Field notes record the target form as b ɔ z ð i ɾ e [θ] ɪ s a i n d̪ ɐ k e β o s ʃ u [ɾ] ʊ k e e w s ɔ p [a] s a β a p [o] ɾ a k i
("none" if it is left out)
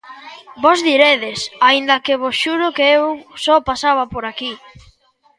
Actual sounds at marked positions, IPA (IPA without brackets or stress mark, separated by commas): ð, ɾ, a, o